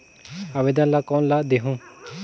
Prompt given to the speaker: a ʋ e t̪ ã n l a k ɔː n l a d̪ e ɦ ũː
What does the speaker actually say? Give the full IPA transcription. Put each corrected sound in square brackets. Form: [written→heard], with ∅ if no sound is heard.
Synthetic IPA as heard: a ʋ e [t̪→d̪] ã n l a k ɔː n l a d̪ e ɦ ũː